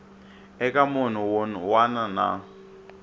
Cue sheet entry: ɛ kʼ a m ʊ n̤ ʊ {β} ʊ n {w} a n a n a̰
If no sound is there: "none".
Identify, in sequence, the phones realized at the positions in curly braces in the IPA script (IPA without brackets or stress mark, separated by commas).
w, w